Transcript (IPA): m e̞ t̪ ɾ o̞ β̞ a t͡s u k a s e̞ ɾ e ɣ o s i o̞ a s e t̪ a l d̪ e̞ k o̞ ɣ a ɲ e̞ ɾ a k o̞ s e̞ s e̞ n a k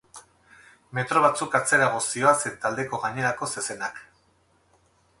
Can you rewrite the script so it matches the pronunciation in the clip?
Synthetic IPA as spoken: m e̞ t̪ ɾ o̞ β̞ a t͡s u k a t͡s e̞ ɾ a ɣ o s i o̞ a s e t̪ a l d̪ e̞ k o̞ ɣ a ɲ e̞ ɾ a k o̞ s e̞ s e̞ n a k